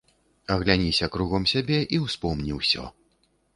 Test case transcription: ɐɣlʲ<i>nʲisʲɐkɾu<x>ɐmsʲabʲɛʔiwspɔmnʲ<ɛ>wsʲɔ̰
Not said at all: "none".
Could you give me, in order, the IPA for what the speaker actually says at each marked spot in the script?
a, ɣ, i

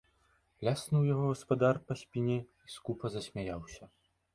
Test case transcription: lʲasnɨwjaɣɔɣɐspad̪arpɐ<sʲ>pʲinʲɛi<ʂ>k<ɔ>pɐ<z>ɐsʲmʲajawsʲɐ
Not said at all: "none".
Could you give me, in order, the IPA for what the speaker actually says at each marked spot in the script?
sʲ, s, u, z

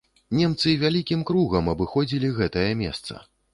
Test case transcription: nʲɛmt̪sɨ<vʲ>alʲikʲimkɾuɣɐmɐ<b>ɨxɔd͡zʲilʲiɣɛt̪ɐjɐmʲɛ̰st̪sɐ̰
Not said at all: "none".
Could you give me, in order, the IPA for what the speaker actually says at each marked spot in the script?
vʲ, b

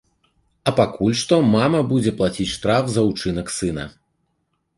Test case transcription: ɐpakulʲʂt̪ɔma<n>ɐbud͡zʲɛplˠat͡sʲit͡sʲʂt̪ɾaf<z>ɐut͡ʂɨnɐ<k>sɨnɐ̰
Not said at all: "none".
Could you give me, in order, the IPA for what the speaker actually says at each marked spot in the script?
m, z, k

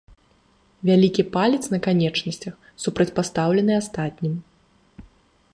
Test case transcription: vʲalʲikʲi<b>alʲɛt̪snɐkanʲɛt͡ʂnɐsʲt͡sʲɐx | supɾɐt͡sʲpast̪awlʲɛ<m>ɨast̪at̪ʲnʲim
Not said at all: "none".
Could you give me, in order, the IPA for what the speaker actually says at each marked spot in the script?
p, n

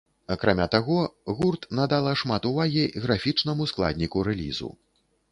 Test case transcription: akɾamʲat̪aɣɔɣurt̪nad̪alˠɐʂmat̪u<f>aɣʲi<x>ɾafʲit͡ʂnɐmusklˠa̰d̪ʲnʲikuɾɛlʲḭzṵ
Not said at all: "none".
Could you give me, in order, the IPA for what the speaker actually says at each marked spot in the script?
v, ɣ

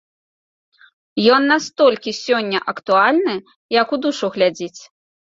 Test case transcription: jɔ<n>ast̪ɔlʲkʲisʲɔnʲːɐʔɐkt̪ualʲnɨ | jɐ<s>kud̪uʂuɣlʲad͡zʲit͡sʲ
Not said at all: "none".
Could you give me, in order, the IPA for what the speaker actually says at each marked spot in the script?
nː, none

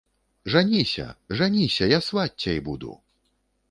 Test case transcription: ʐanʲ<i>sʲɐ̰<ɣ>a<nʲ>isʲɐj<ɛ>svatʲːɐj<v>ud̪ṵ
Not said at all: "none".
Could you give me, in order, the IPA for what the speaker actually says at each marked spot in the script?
i, ʐ, nʲ, a, b

